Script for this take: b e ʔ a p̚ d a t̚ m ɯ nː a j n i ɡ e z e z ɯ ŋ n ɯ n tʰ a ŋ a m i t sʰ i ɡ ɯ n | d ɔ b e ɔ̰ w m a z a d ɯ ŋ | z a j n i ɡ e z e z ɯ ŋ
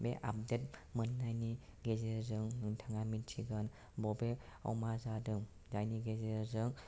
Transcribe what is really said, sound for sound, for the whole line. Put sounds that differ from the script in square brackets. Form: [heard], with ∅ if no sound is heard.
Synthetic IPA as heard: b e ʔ a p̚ d [e] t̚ m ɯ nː a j n i ɡ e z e z ɯ ŋ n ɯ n tʰ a ŋ a m i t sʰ i ɡ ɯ n | [b] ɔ b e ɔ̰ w m a z a d ɯ ŋ | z a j n i ɡ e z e z ɯ ŋ